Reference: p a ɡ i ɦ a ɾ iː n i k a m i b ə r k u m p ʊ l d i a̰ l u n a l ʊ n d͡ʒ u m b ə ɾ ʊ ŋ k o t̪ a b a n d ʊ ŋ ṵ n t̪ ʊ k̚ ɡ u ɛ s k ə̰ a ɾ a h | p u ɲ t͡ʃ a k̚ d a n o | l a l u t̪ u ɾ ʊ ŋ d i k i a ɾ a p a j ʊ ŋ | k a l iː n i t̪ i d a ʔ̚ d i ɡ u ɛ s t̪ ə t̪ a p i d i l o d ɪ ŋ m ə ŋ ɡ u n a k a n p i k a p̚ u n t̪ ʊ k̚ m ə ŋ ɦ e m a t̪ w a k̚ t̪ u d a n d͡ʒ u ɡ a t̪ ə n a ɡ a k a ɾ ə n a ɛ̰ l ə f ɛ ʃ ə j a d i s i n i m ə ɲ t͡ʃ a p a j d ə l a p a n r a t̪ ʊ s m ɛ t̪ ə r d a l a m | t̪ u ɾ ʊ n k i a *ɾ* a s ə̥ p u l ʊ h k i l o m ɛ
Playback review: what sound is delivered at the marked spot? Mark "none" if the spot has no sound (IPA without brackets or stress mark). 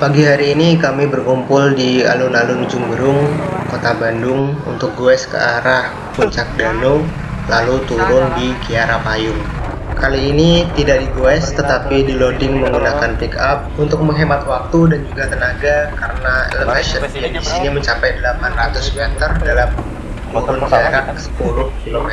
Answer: ɾ